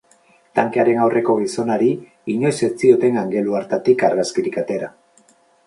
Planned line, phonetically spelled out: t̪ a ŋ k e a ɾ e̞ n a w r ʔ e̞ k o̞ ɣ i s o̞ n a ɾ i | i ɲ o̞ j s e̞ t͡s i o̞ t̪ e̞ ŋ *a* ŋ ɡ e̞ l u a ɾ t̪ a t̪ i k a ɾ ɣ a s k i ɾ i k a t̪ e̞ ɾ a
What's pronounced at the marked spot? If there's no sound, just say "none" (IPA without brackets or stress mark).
a